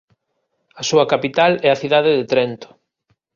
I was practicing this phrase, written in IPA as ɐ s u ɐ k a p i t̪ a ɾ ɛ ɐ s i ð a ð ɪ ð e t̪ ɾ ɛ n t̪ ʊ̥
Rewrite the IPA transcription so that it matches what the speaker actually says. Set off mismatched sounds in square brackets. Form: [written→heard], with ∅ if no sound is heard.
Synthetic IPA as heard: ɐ s u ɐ k a p i t̪ a [ɾ→l] ɛ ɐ [s→θ] i ð a ð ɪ ð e t̪ ɾ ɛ n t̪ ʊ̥